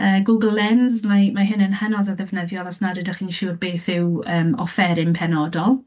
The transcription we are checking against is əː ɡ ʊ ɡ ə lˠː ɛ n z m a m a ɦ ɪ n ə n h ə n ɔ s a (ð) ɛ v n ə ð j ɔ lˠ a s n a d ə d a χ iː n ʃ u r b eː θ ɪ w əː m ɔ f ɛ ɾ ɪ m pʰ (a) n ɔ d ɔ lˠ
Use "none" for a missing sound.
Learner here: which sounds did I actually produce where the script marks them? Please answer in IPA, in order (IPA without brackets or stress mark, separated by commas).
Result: ð, ɛ